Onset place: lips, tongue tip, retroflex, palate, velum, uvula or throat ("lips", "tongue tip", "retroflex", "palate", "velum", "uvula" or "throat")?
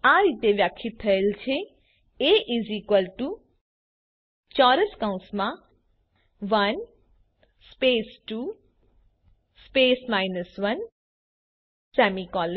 tongue tip